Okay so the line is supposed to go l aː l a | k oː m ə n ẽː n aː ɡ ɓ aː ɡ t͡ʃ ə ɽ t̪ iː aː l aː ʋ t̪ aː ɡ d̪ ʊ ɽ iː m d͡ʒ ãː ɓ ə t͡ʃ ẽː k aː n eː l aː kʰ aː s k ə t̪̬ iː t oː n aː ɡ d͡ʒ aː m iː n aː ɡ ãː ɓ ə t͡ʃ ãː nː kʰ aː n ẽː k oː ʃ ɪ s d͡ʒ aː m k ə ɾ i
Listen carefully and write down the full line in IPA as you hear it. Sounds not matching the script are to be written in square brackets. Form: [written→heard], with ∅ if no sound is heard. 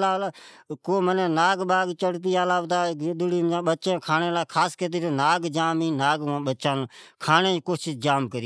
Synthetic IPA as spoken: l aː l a | k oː m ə n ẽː n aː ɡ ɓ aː ɡ t͡ʃ ə ɽ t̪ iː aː l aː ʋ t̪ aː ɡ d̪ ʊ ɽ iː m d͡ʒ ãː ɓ ə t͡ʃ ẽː [k→kʰ] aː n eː l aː kʰ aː s k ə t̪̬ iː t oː n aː ɡ d͡ʒ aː m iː n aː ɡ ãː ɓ ə t͡ʃ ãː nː kʰ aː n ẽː k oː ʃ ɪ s d͡ʒ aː m k ə ɾ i